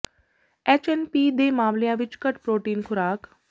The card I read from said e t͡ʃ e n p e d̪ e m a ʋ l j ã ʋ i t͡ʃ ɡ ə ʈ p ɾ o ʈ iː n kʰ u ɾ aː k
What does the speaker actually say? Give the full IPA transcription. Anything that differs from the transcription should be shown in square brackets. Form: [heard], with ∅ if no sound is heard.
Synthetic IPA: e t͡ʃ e n p [i] d̪ e m a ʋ l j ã ʋ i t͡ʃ [k] ə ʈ p ɾ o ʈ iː n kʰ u ɾ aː k

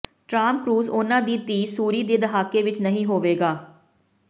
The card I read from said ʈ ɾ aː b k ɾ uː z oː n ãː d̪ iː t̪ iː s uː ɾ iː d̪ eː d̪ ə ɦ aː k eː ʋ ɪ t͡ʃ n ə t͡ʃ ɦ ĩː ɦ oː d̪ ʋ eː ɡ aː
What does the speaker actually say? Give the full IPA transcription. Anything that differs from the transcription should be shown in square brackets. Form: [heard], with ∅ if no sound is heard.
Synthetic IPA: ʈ ɾ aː [m] k ɾ uː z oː n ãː d̪ iː t̪ iː s uː ɾ iː d̪ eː d̪ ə ɦ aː k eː ʋ ɪ t͡ʃ n ə [∅] ɦ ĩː ɦ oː [∅] ʋ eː ɡ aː

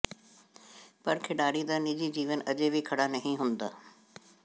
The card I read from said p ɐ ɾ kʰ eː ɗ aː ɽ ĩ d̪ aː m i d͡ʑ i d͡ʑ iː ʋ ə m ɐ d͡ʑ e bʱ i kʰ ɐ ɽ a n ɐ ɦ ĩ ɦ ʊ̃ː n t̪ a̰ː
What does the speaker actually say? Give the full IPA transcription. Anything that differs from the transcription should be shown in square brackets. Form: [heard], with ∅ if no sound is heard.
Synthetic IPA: p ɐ ɾ kʰ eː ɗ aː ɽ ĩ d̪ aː [n] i d͡ʑ i d͡ʑ iː ʋ ə [n] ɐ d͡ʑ e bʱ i kʰ ɐ ɽ a n ɐ ɦ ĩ ɦ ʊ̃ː n [d̪] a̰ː

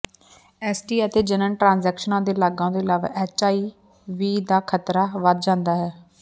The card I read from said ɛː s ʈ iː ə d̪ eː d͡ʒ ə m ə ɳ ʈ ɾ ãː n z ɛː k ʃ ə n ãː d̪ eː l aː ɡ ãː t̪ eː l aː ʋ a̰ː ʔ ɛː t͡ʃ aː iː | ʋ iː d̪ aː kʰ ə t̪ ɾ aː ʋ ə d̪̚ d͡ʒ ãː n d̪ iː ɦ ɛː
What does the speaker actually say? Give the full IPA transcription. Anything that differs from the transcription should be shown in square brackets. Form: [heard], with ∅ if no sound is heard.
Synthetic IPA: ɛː s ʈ iː ə [t̪] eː d͡ʒ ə [n] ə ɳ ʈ ɾ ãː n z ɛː k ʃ ə n ãː d̪ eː l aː ɡ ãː [d̪] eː l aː ʋ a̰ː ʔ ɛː t͡ʃ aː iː | ʋ iː d̪ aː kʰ ə t̪ ɾ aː ʋ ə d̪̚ d͡ʒ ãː n d̪ [aː] ɦ ɛː

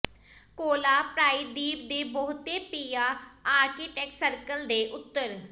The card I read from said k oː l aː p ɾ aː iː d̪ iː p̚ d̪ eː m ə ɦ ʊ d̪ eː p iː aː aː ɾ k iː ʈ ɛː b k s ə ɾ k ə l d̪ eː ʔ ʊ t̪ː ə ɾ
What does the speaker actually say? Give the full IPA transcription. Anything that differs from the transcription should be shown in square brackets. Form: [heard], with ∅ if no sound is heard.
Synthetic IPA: k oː l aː p ɾ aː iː d̪ iː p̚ d̪ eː [b] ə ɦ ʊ [t̪] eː p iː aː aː ɾ k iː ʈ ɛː [∅] k s ə ɾ k ə l d̪ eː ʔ ʊ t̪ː ə ɾ

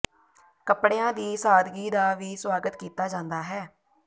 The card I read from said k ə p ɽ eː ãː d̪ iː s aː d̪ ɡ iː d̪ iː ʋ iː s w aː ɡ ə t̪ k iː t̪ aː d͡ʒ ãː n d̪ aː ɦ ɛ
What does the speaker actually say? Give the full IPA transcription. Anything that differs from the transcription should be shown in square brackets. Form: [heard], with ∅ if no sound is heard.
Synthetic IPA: k ə p ɽ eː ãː d̪ iː s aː d̪ ɡ iː d̪ [aː] ʋ iː s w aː ɡ ə t̪ k iː t̪ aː d͡ʒ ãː n d̪ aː ɦ [ɛː]

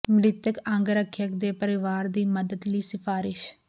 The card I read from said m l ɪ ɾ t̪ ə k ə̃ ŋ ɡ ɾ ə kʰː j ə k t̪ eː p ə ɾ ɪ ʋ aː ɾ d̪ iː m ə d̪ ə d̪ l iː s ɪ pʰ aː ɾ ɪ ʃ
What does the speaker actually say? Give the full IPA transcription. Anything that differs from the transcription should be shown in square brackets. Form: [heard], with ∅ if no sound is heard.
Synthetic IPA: m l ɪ [∅] t̪ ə k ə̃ ŋ ɡ ɾ ə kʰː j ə k [d̪] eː p ə ɾ ɪ ʋ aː ɾ d̪ iː m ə d̪ ə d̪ l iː s ɪ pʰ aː ɾ ɪ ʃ

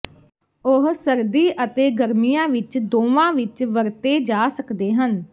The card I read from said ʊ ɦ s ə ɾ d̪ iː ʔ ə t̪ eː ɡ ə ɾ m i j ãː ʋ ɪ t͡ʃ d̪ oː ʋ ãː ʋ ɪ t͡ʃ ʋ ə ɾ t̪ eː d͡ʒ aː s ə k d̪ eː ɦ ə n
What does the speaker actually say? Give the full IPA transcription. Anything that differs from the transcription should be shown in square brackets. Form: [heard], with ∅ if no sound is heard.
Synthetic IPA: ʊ ɦ s ə ɾ d̪ iː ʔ ə t̪ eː ɡ ə ɾ m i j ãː ʋ ɪ t͡ʃ d̪ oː ʋ ãː ʋ ɪ t͡ʃ ʋ ə ɾ t̪ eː d͡ʒ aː s ə k d̪ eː ɦ ə n

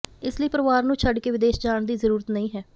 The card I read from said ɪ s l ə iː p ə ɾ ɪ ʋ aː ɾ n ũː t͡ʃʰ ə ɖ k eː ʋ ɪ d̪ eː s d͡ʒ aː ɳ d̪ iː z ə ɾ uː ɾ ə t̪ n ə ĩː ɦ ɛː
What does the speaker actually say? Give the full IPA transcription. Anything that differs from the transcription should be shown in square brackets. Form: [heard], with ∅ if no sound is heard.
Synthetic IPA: ɪ s l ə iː p ə ɾ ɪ ʋ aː ɾ n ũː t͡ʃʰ ə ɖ k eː ʋ ɪ d̪ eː [ʃ] d͡ʒ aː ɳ d̪ iː z ə ɾ uː ɾ ə t̪ n ə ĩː ɦ ɛː

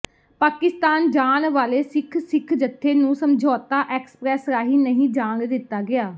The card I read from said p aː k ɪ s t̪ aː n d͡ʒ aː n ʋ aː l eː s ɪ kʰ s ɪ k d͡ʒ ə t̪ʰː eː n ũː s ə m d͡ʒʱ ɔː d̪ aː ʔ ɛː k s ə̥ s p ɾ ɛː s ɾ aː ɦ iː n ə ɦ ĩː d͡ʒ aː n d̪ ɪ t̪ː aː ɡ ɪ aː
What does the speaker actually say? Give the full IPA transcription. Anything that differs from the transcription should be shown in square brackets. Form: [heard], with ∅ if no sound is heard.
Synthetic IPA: p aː k ɪ s t̪ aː n d͡ʒ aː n ʋ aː l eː s ɪ kʰ s ɪ [kʰ] d͡ʒ ə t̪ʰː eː n ũː s ə m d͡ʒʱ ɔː [t̪] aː ʔ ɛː k s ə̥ [∅] p ɾ ɛː s ɾ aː ɦ iː n ə ɦ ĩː d͡ʒ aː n d̪ ɪ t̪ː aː ɡ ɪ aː

